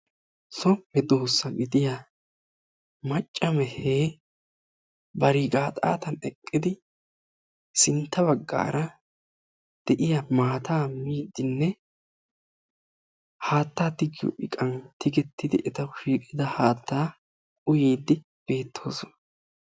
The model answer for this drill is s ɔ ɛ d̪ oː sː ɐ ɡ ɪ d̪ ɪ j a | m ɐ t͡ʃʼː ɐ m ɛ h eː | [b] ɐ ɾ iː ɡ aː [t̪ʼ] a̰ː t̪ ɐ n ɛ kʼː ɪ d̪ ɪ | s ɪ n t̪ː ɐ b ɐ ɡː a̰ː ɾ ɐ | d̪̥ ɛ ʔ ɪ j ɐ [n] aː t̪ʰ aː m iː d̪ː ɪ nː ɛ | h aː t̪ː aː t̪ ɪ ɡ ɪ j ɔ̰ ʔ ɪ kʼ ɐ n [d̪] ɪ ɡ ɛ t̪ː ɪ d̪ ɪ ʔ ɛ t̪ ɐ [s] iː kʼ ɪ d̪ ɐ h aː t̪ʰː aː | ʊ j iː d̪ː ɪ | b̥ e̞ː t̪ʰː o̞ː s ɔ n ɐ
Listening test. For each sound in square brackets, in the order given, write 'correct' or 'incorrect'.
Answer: correct, correct, incorrect: m, incorrect: t̪, incorrect: ʃ

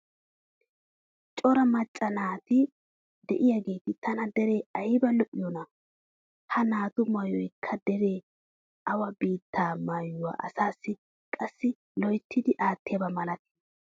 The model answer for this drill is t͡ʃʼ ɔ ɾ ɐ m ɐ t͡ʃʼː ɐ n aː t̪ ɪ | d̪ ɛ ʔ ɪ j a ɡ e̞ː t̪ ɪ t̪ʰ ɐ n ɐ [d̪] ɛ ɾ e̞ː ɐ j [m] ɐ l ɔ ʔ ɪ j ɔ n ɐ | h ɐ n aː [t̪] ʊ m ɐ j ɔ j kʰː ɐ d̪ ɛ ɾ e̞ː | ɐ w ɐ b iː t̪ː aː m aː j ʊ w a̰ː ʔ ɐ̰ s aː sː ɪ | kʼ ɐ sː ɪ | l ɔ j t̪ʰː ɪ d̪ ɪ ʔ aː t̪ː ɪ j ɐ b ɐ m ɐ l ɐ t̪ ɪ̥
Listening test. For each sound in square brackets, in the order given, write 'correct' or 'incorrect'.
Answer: correct, incorrect: b, correct

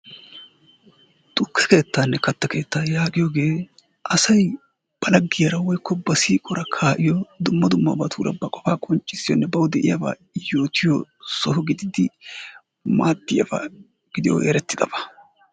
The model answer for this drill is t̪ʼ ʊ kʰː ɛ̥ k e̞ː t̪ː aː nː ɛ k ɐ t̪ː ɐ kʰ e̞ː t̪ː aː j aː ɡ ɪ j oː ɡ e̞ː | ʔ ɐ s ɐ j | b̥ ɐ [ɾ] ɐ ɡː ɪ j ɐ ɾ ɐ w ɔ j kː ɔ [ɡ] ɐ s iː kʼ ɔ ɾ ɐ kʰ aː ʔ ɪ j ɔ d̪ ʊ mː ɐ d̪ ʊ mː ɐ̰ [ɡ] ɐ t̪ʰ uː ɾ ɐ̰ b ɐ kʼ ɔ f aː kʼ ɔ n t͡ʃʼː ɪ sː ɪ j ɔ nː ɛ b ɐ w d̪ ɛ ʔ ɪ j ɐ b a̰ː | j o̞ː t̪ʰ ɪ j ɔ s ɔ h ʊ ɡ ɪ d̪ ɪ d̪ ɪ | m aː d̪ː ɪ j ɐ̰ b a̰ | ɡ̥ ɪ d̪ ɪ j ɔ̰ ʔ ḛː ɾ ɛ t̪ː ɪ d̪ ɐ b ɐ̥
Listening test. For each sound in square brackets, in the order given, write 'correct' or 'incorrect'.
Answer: incorrect: l, incorrect: b, incorrect: b

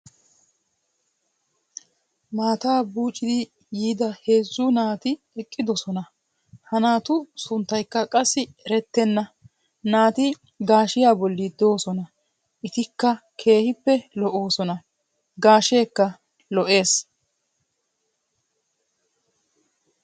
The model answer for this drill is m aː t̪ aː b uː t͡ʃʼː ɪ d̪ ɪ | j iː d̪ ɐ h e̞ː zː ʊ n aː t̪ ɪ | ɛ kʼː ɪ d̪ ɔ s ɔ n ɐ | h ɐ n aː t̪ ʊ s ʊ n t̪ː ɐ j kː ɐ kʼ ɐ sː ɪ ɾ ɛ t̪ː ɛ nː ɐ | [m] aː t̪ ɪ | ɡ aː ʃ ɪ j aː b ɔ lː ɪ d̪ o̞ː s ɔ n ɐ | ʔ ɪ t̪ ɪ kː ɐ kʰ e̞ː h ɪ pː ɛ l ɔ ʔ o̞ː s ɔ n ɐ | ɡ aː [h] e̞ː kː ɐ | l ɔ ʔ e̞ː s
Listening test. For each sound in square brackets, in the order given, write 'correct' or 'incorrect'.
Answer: incorrect: n, incorrect: ʃ

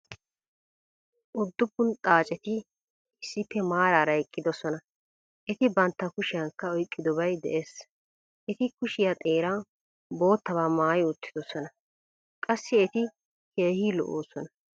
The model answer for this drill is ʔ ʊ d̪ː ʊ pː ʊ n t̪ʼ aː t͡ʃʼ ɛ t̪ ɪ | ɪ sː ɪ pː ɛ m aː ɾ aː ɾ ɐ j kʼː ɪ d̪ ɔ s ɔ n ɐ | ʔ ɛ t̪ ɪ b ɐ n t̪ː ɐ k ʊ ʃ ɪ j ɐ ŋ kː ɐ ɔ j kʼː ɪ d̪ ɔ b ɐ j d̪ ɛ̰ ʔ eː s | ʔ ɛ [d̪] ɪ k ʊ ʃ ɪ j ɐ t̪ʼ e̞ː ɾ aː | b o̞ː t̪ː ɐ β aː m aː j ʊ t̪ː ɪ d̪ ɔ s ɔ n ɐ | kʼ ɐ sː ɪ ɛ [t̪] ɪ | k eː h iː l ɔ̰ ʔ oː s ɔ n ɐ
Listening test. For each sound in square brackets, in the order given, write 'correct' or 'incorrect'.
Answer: incorrect: t̪, correct

